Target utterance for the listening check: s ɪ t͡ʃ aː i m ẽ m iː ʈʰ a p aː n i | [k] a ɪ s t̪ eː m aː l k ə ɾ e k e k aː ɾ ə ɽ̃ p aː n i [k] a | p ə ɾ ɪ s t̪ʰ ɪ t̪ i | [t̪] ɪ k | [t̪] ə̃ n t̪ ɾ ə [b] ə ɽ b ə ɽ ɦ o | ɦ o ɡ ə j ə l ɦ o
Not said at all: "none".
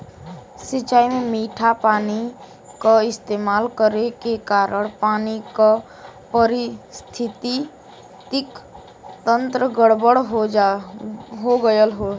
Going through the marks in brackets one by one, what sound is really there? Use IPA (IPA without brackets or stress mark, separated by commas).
k, k, t̪, t̪, ɡ